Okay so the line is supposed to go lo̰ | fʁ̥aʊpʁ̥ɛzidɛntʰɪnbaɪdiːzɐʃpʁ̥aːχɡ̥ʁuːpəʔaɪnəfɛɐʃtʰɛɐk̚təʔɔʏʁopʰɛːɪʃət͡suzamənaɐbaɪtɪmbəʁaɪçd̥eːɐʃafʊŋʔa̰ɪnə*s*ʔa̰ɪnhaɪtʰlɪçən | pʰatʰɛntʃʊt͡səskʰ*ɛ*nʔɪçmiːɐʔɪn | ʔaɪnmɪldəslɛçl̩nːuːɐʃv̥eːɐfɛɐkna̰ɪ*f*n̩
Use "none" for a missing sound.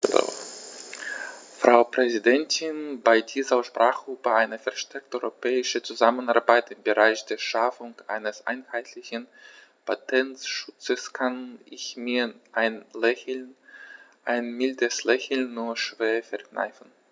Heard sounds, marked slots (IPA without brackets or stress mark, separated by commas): s, a, f